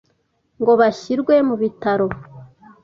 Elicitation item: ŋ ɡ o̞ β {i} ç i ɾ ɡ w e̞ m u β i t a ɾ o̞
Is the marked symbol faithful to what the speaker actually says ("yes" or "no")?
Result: no